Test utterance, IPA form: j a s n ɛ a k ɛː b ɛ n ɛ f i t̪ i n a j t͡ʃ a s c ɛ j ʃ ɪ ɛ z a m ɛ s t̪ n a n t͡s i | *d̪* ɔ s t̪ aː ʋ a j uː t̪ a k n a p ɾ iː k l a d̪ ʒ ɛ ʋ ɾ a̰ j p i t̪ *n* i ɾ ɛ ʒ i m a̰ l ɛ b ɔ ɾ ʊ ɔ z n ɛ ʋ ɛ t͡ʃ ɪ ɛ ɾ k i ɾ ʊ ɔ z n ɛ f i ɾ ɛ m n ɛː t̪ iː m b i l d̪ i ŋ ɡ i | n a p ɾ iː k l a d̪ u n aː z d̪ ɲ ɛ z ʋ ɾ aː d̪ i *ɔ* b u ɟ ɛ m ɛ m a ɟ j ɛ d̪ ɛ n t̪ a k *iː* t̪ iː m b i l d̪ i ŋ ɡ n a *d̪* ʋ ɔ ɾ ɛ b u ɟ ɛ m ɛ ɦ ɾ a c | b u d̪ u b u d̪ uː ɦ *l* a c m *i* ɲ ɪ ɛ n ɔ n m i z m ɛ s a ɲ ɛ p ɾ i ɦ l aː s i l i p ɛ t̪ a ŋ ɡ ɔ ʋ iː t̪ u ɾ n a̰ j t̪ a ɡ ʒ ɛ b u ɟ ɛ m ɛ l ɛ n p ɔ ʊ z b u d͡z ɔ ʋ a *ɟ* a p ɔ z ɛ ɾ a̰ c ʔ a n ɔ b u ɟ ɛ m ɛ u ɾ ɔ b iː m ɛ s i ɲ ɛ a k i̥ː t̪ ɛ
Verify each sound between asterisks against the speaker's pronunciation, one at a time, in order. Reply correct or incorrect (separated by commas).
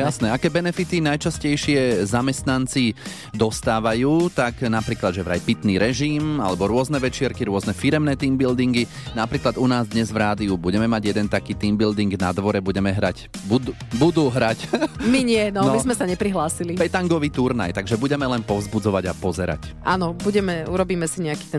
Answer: correct, correct, incorrect, correct, correct, incorrect, correct, correct